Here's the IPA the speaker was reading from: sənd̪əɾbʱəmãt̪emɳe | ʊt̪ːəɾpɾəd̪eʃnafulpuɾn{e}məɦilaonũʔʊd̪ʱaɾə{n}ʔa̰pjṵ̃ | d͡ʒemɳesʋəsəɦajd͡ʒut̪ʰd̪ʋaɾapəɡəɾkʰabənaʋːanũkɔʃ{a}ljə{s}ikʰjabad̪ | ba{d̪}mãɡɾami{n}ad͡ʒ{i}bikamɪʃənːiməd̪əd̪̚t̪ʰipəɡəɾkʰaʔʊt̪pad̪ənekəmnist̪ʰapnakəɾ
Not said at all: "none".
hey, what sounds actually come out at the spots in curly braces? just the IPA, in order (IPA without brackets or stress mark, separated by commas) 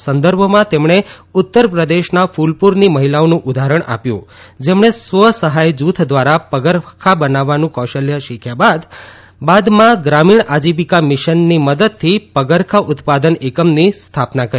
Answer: i, ɳ, ə, ʃ, d̪, ɳ, i